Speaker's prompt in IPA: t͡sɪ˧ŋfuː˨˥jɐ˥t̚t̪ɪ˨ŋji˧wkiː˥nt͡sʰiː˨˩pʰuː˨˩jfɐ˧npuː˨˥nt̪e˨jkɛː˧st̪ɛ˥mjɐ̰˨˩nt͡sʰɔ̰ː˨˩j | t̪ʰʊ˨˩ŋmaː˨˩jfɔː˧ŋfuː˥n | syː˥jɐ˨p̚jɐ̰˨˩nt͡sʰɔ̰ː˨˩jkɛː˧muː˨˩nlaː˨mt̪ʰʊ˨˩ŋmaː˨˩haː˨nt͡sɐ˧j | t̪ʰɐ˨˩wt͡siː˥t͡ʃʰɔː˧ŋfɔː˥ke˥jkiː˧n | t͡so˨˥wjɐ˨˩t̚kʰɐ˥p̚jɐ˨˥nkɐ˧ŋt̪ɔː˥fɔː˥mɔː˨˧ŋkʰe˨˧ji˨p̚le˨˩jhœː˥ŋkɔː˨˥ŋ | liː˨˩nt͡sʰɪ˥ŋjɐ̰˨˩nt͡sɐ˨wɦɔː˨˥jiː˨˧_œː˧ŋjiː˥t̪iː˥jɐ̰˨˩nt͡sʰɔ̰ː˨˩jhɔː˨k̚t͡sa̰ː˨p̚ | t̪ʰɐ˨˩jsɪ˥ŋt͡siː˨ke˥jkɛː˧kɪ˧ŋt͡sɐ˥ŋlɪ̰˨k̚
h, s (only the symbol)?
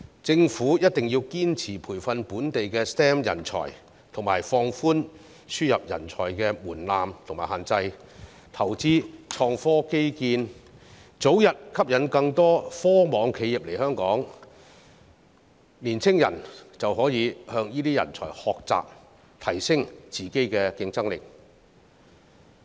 h